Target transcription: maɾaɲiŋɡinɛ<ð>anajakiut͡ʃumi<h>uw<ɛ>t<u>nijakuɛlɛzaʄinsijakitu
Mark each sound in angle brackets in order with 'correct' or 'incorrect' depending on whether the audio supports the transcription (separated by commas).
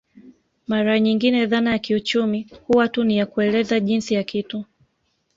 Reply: correct, correct, incorrect, correct